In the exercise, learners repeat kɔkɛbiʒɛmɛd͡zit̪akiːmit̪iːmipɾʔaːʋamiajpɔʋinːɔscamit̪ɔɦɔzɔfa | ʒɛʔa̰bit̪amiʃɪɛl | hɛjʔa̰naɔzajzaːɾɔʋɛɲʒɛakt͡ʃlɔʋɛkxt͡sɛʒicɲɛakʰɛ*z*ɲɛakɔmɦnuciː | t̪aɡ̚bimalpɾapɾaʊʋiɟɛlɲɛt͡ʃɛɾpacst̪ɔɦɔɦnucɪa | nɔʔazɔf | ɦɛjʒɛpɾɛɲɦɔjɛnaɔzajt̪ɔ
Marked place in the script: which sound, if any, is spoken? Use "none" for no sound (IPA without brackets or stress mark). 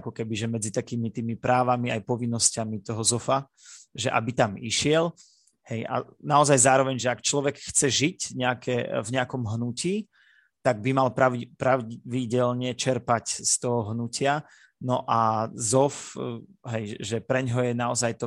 v